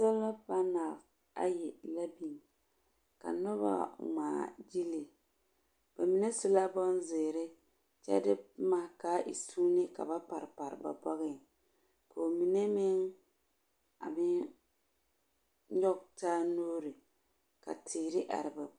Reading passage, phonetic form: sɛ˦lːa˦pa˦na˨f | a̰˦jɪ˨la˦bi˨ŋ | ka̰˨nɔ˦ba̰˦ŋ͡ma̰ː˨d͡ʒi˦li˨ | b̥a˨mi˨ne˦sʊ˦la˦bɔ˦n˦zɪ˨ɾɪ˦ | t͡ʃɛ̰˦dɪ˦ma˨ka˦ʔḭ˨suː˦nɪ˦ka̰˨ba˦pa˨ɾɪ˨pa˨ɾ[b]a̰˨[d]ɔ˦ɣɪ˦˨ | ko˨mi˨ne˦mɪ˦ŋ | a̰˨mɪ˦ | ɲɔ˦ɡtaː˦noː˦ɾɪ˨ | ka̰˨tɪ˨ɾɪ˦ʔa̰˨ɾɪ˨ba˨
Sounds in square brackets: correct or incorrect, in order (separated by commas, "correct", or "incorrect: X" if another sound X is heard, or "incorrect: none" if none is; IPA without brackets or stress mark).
correct, incorrect: b